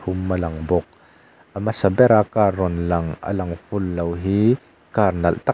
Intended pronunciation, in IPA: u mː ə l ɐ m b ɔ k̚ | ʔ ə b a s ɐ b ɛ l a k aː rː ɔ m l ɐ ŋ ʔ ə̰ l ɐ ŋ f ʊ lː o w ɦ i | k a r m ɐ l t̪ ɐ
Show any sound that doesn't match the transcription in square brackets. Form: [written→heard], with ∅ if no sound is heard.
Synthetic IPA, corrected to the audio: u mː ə l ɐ [m→ŋ] b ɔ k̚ | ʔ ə [b→m] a s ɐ b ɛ [l→ɾ] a k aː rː ɔ [m→n] l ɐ ŋ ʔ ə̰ l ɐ ŋ f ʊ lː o w ɦ i | k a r [m→n] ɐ l t̪ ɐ